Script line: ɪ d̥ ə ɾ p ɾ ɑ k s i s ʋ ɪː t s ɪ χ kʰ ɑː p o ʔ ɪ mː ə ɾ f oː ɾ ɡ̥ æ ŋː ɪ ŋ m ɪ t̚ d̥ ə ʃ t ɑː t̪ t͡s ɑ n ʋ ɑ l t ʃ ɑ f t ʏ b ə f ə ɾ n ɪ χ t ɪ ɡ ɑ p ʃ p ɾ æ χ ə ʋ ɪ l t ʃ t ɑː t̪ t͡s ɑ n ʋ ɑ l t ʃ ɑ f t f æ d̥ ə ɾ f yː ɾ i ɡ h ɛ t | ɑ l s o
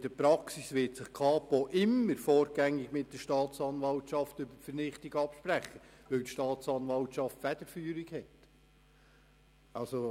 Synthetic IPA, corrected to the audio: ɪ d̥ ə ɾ p ɾ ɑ k s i s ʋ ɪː t s ɪ χ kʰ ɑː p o ʔ ɪ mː ə ɾ f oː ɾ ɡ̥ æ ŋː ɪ ɡ m ɪ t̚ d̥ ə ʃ t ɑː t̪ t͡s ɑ n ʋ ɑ l t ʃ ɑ f t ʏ b ə f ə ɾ n ɪ χ t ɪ ɡ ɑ p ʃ p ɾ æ χ ə ʋ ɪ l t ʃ t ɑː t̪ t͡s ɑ n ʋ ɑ l t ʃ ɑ f t f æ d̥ ə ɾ f yː ɾ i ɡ h ɛ t | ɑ l s o